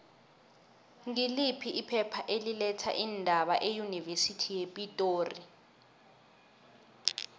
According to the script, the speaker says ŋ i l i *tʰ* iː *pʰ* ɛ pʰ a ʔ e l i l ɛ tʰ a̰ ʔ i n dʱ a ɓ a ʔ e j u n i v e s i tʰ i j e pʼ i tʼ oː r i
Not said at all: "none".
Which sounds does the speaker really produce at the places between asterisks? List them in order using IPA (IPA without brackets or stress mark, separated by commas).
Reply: pʰ, pʰ